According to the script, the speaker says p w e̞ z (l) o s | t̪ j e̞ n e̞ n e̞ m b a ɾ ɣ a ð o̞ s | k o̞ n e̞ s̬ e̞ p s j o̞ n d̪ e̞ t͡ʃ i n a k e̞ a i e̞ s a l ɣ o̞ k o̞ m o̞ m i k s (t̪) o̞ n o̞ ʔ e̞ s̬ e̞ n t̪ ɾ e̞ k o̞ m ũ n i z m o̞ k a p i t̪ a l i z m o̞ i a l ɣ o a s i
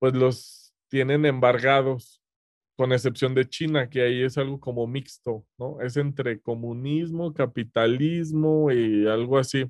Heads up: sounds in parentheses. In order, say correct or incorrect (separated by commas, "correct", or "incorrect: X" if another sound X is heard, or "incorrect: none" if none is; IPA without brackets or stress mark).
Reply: correct, correct